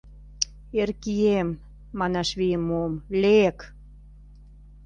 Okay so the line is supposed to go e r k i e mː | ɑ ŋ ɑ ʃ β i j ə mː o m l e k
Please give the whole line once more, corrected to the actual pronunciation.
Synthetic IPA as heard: e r k i e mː | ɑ n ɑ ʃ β i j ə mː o m l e k